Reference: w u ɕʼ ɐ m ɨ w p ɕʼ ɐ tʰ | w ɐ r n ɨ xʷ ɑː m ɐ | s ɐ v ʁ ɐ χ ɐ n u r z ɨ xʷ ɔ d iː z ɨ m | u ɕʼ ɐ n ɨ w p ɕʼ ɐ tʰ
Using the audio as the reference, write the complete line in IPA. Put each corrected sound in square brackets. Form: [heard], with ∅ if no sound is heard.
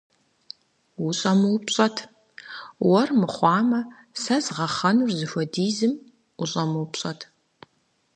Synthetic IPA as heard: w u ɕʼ ɐ m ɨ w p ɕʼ ɐ tʰ | w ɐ r [m] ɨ [χʷ] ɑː m ɐ | s ɐ [z] ʁ ɐ χ ɐ n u r z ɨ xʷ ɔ d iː z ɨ m | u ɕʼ ɐ [m] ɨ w p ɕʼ ɐ tʰ